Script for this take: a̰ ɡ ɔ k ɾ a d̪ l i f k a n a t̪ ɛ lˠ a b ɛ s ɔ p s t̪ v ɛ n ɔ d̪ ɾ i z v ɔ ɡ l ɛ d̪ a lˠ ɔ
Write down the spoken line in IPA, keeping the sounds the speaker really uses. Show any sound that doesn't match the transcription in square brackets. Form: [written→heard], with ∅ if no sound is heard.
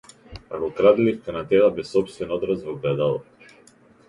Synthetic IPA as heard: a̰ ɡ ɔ k ɾ a d̪ l i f k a n a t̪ ɛ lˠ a b ɛ s ɔ p s t̪ v ɛ n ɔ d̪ ɾ [i→a] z v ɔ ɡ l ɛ d̪ a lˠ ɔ